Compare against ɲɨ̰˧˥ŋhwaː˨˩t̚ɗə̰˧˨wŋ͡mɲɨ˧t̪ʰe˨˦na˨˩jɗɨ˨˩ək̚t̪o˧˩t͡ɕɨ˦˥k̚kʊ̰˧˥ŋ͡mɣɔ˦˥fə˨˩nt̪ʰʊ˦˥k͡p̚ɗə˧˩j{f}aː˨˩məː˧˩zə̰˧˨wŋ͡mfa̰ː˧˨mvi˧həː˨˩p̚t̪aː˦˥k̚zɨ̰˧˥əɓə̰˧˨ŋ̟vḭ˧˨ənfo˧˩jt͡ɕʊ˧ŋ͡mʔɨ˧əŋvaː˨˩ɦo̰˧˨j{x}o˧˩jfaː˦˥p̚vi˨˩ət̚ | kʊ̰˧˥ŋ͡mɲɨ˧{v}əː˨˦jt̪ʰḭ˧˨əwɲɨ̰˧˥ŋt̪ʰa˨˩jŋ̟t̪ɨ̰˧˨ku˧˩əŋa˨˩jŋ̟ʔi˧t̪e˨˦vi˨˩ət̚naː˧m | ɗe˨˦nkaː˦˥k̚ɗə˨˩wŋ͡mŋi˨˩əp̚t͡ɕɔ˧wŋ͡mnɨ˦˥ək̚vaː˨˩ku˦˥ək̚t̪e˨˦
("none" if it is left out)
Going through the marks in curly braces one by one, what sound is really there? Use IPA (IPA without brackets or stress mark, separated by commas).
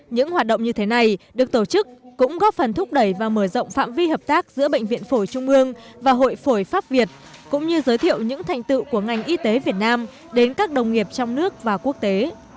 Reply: v, f, z